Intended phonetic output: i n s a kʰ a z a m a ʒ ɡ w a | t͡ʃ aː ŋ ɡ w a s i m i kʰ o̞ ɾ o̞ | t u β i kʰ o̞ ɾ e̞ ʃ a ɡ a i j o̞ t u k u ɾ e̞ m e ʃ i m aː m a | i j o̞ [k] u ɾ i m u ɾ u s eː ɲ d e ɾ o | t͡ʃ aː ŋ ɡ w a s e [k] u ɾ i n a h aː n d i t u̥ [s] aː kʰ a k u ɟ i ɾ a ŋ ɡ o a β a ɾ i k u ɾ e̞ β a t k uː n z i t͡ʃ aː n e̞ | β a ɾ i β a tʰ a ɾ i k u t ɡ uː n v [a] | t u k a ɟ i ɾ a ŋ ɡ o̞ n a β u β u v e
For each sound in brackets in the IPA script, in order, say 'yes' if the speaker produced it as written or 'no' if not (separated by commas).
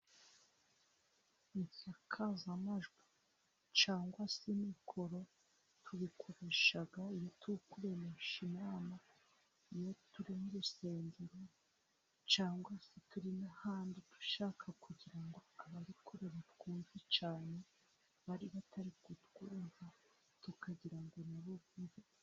no, no, no, yes